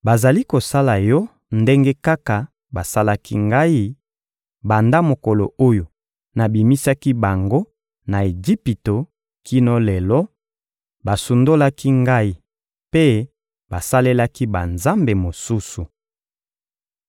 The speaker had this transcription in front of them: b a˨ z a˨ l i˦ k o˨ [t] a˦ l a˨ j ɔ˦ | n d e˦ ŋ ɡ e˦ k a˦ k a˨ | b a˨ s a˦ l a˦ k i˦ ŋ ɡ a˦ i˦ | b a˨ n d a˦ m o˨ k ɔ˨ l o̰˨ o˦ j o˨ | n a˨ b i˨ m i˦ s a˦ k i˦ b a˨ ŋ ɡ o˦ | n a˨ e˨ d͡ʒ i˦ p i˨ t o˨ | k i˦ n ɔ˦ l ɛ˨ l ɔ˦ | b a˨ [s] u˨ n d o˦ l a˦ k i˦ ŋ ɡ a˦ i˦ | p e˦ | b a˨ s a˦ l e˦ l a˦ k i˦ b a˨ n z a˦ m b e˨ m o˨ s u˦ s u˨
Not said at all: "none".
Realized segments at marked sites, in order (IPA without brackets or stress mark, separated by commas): s, s